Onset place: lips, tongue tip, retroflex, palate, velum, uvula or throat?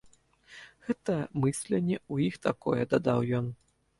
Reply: velum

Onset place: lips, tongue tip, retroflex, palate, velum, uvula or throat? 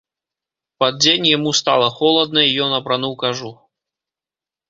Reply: lips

